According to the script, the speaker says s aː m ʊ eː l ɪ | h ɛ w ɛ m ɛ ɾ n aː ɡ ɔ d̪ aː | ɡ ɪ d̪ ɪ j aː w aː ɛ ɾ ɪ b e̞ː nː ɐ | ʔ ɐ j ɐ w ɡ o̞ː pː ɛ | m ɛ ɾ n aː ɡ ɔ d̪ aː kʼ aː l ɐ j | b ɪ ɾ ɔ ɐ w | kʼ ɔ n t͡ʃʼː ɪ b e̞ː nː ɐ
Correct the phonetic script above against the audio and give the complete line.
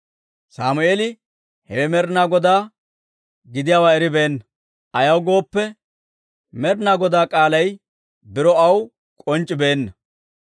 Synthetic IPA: s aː m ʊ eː l ɪ | h ɛ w ɛ m ɛ ɾ n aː ɡ ɔ d̪ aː | ɡ ɪ d̪ ɪ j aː w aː ɛ ɾ ɪ b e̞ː nː ɐ | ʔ ɐ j ɐ w ɡ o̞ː pː ɛ | m ɛ ɾ n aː ɡ ɔ d̪ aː kʼ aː l ɐ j | b ɪ ɾ ɔ ɐ w | kʼ ɔ n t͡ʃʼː ɪ b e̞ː nː ɐ